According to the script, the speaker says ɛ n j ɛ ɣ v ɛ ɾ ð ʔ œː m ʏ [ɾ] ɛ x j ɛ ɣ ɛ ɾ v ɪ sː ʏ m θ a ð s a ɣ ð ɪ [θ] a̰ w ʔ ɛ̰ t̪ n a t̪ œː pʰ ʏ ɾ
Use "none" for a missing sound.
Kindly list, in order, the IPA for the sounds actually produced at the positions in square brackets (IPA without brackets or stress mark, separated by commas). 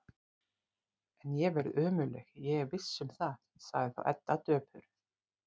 l, θ